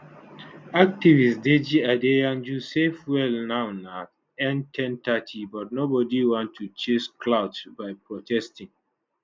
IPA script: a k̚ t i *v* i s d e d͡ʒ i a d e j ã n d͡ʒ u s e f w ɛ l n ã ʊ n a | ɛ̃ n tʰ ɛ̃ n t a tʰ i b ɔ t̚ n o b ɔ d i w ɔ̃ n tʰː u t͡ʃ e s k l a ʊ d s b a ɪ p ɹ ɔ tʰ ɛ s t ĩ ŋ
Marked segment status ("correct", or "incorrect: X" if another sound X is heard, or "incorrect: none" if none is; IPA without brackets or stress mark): correct